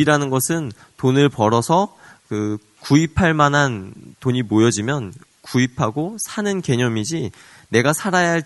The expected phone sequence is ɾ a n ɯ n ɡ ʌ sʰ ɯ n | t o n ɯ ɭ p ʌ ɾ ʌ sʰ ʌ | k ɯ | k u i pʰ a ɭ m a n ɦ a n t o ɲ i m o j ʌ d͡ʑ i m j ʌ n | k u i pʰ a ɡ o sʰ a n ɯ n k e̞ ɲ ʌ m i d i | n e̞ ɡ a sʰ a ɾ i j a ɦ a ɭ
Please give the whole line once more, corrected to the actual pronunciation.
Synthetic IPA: ɾ a n ɯ n ɡ ʌ sʰ ɯ n | t o n ɯ ɭ p ʌ ɾ ʌ sʰ ʌ | k ɯ | k u i pʰ a ɭ m a n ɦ a n t o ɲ i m o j ʌ d͡ʑ i m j ʌ n | k u i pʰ a ɡ o sʰ a n ɯ n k e̞ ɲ ʌ m i d͡ʑ i | n e̞ ɡ a sʰ a ɾ a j a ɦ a ɭ